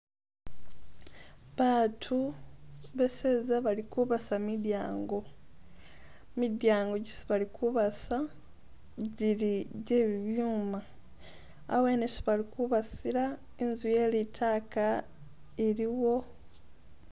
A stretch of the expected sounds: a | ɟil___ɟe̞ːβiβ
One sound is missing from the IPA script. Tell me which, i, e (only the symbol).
i